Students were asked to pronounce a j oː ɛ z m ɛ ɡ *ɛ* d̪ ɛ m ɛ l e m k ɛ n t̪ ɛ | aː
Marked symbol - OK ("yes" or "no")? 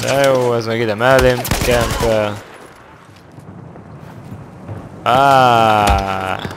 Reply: no